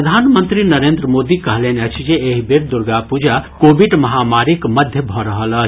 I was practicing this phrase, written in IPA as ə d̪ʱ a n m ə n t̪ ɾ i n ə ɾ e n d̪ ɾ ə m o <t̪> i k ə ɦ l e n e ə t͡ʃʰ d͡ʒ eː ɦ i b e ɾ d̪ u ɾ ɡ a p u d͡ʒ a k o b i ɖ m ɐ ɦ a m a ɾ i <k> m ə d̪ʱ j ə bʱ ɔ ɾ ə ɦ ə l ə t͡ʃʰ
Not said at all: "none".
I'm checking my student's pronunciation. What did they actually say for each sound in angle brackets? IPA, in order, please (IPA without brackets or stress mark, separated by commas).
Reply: d̪, k